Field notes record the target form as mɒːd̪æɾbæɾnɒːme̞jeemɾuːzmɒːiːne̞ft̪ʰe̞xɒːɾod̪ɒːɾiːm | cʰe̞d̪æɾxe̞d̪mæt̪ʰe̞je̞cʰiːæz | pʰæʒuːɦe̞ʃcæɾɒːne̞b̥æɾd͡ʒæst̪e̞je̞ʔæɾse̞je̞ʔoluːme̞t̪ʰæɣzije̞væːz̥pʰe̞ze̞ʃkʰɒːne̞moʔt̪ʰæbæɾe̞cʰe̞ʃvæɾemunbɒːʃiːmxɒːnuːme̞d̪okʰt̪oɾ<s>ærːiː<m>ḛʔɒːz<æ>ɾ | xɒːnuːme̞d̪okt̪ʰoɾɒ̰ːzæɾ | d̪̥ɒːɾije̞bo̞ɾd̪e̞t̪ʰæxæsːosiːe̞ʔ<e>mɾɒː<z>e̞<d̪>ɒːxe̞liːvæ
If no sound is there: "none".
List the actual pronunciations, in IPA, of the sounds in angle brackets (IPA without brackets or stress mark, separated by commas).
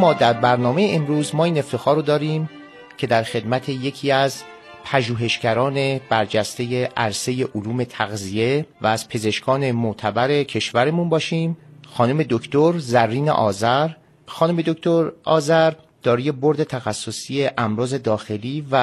z, n, æ, æ, z, d̪